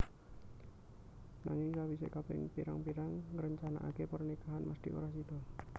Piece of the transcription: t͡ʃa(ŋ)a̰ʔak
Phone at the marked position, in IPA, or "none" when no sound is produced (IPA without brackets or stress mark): n